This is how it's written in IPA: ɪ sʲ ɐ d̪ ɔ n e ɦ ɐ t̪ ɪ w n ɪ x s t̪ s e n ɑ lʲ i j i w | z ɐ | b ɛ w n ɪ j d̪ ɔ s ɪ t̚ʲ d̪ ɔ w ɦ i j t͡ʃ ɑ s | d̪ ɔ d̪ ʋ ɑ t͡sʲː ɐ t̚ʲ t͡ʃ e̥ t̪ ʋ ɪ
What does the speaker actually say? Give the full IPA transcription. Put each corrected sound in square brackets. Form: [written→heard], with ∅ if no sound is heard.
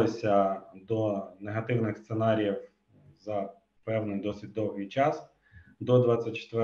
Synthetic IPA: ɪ sʲ ɐ d̪ ɔ n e ɦ ɐ t̪ ɪ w n ɪ x s t̪ s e n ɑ [lʲ→ɾʲ] i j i w | z ɐ | [b→p] ɛ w n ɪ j d̪ ɔ s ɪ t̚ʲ d̪ ɔ w ɦ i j t͡ʃ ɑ s | d̪ ɔ d̪ ʋ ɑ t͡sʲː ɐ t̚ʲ t͡ʃ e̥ t̪ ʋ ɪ